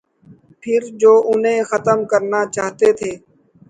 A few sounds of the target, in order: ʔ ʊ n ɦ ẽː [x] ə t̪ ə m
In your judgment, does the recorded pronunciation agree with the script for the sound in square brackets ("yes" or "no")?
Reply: yes